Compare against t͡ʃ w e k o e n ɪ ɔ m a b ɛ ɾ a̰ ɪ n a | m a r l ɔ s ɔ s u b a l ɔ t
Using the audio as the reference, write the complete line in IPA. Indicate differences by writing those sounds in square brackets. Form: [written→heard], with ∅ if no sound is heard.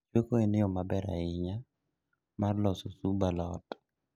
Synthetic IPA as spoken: t͡ʃ w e k o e n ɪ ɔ m a b ɛ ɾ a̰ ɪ [n→ɲ] a | m a r l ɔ s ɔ s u b a l ɔ t

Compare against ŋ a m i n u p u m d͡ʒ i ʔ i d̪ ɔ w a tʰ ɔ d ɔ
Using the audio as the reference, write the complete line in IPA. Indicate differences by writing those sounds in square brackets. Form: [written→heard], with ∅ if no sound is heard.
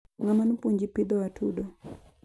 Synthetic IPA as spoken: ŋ a m [i→a] n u p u [m→ɲ] d͡ʒ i [ʔ→p] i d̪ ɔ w a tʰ [ɔ→u] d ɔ

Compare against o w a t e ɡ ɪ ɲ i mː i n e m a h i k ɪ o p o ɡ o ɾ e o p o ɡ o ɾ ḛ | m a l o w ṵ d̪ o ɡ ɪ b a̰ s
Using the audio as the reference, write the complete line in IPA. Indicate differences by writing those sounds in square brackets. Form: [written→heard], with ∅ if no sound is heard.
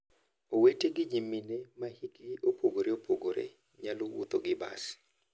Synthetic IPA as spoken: o w [a→e] t e ɡ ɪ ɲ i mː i n e m a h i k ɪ o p o ɡ o ɾ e o p o ɡ o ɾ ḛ | [m→ɲ] a l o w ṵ [d̪→t̪] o ɡ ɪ b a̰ s

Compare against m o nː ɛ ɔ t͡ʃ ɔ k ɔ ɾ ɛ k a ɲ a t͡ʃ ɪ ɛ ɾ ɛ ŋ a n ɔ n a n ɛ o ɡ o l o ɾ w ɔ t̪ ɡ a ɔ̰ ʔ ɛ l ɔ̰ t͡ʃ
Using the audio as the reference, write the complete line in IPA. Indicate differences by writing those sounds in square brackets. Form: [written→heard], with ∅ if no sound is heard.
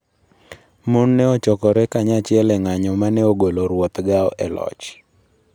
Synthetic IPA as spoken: m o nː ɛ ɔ t͡ʃ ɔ k ɔ ɾ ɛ k a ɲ a t͡ʃ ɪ ɛ [ɾ→l] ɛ ŋ a [n→ɲ] ɔ [n→m] a n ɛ o ɡ o l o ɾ w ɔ t̪ ɡ a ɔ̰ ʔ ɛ l ɔ̰ t͡ʃ

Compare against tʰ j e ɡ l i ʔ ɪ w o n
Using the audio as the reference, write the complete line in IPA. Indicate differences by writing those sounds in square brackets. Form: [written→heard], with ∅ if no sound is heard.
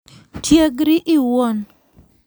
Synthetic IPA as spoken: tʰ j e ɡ [l→ɾ] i ʔ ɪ w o n

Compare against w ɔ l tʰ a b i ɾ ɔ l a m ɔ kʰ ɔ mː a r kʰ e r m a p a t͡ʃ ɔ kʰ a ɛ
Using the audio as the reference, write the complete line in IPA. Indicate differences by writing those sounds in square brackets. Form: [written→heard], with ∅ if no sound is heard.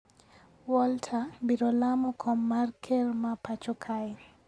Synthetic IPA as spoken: w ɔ l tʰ a b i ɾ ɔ l a m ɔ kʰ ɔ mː a r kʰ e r m a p a t͡ʃ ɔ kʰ a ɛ

